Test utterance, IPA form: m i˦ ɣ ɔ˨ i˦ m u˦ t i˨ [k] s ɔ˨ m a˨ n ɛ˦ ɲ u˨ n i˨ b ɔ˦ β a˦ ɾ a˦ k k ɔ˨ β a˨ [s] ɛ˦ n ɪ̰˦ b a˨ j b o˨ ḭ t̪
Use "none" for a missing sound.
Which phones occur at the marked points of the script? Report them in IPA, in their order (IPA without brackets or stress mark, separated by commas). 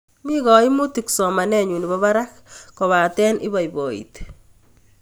k, t